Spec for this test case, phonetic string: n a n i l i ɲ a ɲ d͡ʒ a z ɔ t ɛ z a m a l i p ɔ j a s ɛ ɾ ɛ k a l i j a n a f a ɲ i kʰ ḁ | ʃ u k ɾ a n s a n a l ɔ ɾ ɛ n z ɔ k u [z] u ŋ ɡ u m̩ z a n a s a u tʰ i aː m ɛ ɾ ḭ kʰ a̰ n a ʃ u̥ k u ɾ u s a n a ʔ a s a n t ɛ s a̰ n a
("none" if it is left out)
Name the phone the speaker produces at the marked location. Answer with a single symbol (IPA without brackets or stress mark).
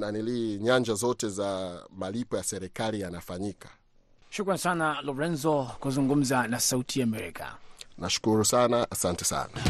z